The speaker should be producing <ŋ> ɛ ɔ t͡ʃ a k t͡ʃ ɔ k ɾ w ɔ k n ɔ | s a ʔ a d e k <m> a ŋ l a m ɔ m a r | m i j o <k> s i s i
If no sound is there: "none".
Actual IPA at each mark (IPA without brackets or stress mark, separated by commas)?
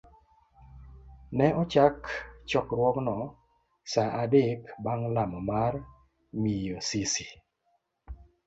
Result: n, b, none